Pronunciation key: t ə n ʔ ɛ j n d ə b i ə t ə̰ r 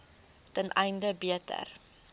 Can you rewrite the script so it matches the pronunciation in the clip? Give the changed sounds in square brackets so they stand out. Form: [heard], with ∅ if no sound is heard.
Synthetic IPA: t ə n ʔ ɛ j n d ə b i ə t ə̰ r